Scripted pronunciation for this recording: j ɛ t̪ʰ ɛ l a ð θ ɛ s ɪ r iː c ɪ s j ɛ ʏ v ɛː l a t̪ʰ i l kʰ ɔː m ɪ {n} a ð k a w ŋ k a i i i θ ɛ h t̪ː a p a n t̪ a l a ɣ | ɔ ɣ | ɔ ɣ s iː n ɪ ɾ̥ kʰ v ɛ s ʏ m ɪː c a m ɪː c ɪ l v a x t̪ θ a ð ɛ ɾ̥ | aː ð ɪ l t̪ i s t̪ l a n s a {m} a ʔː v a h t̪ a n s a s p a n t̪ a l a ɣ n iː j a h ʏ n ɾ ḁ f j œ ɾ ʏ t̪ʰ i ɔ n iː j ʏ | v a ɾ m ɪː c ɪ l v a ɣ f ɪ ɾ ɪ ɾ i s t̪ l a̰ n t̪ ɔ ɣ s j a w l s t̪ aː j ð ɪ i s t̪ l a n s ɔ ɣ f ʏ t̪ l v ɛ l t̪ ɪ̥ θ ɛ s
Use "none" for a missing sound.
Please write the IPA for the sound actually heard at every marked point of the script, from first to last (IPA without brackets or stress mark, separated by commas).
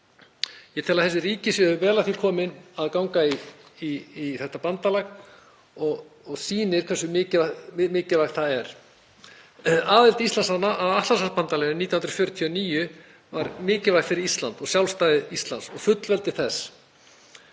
n, n